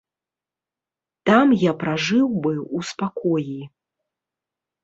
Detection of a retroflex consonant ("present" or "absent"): present